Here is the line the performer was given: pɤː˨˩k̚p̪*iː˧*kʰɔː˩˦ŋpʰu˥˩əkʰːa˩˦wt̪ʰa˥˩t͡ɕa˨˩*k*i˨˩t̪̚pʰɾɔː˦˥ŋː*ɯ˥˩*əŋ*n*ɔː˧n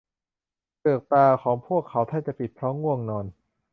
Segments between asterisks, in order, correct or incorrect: incorrect, incorrect, incorrect, correct

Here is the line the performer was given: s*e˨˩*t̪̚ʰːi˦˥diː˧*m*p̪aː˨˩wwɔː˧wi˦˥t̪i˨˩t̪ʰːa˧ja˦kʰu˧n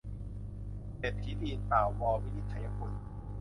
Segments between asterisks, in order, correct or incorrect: correct, incorrect

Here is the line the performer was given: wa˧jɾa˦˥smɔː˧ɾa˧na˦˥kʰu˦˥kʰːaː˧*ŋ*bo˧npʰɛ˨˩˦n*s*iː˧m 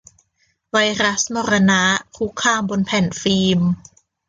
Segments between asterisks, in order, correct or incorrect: incorrect, incorrect

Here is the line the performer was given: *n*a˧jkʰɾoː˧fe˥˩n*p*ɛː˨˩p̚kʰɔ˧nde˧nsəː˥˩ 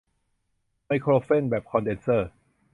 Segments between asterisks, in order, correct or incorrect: incorrect, incorrect

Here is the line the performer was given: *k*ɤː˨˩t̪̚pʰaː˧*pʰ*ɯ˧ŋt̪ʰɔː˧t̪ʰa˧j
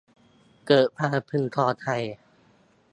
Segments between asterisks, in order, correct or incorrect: correct, correct

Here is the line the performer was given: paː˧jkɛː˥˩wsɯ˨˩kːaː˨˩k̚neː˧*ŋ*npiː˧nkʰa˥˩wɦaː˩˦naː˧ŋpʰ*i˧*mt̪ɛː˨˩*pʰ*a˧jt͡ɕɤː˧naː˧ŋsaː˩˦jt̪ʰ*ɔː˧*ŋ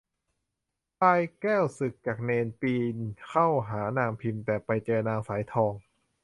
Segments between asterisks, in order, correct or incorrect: incorrect, correct, incorrect, correct

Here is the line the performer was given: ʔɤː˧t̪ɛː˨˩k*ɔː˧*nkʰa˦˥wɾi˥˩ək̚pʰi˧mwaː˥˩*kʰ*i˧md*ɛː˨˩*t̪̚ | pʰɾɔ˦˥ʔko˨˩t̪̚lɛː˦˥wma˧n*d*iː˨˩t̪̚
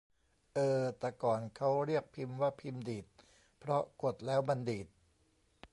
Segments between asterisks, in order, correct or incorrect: incorrect, incorrect, incorrect, correct

